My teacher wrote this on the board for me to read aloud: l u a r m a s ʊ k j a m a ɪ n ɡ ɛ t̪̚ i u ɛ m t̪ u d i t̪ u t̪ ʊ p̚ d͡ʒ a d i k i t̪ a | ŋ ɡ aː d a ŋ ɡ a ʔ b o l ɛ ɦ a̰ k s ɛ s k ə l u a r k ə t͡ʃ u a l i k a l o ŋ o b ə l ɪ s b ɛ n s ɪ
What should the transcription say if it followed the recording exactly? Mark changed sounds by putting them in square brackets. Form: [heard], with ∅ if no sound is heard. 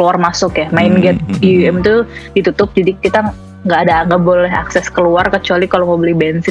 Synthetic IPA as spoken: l u a r m a s ʊ k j a m a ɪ n ɡ ɛ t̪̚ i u ɛ m t̪ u d i t̪ u t̪ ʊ p̚ d͡ʒ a d i k i t̪ a | ŋ ɡ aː d a ŋ ɡ a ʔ b o l ɛ ɦ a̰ k s ɛ s k ə l u a r k ə t͡ʃ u a l i k a l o [m] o b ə l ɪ [h] b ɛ n s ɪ